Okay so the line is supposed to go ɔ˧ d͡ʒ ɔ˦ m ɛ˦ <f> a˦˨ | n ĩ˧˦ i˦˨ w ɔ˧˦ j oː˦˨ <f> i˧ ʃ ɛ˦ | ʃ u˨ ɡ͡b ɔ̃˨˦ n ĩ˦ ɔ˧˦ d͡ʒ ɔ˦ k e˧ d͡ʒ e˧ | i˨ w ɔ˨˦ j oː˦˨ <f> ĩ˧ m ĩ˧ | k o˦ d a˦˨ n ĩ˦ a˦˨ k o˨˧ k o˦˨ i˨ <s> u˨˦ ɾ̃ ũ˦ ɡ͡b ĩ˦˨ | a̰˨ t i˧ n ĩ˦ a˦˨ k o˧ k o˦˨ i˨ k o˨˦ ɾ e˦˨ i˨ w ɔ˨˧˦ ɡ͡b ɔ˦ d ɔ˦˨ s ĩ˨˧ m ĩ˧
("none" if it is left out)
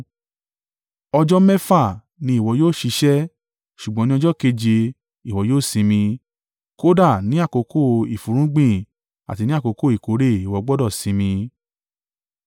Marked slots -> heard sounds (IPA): f, ʃ, s, f

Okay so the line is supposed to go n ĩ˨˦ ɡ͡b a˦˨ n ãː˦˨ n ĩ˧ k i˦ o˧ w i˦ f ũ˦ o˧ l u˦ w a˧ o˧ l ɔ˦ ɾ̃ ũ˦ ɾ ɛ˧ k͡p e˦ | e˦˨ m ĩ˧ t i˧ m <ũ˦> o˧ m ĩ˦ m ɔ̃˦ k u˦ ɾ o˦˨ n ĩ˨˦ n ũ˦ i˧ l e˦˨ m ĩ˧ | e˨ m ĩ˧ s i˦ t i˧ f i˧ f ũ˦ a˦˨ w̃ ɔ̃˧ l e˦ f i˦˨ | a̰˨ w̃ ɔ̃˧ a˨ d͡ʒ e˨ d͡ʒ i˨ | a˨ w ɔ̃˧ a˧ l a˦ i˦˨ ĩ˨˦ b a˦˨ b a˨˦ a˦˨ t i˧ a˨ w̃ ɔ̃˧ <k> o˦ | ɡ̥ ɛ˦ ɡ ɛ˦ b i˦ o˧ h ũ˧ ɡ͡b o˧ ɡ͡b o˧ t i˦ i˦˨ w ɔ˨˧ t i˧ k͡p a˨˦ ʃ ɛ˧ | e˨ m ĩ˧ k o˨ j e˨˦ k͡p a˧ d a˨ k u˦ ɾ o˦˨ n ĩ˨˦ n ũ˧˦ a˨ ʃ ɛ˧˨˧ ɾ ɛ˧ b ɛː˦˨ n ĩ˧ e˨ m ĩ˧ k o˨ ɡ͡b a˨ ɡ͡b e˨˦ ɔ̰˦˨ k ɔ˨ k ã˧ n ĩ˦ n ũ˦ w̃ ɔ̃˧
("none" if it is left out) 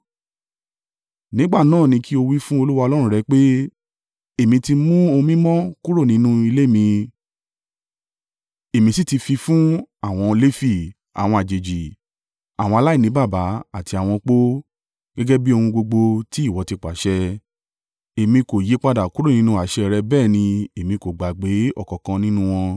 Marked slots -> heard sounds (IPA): ũ˦, k͡p

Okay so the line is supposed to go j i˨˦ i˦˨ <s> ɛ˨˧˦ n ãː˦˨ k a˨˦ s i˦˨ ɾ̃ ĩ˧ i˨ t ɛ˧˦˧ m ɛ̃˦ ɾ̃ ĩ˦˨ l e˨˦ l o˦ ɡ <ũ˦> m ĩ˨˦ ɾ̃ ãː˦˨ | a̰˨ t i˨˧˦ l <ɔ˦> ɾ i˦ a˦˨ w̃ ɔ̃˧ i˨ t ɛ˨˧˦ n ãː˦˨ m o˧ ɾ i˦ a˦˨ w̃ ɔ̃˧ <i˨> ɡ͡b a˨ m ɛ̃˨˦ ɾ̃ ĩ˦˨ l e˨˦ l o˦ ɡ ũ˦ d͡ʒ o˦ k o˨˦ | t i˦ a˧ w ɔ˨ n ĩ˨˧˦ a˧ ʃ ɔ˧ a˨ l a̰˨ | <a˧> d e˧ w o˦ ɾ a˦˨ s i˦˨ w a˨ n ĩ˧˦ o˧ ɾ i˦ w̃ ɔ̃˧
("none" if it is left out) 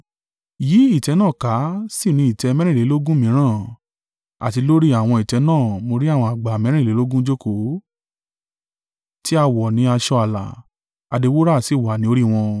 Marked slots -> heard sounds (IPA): t, ũ˦, o˦, a˨, a˧

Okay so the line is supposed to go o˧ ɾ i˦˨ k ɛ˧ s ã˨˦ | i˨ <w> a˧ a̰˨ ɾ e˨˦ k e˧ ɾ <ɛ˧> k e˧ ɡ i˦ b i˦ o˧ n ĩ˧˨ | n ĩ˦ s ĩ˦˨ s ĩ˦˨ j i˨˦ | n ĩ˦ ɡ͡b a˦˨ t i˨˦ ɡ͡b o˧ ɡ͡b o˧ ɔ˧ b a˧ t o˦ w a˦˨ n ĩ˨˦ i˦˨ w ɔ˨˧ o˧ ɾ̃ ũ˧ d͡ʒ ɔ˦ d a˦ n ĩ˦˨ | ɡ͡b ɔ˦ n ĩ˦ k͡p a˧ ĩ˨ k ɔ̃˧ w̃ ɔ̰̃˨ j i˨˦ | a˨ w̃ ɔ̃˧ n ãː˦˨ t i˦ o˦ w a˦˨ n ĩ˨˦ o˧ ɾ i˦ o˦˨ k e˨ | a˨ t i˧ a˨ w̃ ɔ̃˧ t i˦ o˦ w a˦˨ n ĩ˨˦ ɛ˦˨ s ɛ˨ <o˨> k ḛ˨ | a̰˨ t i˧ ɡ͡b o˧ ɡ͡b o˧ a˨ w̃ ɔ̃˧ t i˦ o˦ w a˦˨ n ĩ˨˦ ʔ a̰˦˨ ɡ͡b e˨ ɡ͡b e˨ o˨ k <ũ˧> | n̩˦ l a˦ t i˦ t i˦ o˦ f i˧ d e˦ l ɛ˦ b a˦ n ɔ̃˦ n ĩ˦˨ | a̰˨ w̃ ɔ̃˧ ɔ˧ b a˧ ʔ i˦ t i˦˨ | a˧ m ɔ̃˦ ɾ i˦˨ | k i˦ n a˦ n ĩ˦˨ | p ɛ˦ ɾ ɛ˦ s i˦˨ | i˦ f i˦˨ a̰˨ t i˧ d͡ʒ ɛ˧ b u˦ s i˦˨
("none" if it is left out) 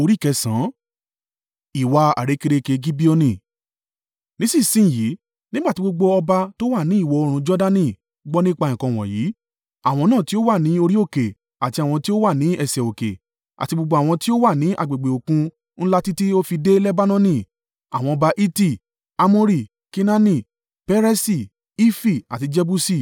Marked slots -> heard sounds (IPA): w, e˧, o˨, ũ˧

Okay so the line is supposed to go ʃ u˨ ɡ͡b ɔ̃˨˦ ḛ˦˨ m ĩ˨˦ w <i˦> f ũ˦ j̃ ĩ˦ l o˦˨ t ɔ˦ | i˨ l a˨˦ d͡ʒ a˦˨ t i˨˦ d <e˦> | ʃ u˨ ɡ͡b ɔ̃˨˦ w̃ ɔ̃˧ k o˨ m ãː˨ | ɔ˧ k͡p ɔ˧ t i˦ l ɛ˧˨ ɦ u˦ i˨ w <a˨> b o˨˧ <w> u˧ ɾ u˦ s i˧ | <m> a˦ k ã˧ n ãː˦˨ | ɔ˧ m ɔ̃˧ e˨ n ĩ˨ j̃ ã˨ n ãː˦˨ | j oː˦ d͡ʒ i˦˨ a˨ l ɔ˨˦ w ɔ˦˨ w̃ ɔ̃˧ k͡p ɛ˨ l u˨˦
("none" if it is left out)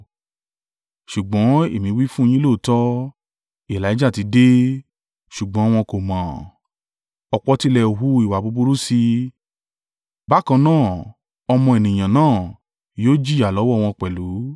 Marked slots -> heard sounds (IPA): i˦, e˦, a˨, b, b

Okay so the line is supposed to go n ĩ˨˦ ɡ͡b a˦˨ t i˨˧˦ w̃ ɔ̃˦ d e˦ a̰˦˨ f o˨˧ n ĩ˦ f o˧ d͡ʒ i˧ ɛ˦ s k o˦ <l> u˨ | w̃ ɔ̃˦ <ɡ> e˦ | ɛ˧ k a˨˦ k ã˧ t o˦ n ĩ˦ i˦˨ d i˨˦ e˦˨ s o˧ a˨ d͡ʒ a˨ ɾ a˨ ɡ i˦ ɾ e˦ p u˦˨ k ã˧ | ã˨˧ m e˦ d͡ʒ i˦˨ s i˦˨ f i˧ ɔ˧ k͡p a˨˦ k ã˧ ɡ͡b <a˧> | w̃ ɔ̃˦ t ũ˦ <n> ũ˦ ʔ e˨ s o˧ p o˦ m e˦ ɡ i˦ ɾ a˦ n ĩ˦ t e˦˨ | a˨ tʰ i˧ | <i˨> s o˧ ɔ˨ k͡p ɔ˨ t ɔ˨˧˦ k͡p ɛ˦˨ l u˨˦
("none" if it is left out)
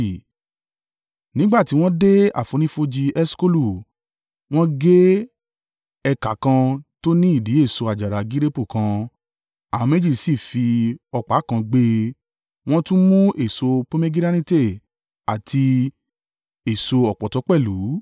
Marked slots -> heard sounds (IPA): l, ɡ, e˧, m, e˨

